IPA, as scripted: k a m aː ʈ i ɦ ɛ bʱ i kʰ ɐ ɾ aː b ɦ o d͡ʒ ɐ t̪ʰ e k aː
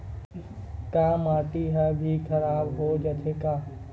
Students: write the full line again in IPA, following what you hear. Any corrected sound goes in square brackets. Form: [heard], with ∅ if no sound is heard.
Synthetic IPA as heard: k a m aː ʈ i ɦ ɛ bʱ i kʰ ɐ ɾ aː b ɦ o d͡ʒ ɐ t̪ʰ e k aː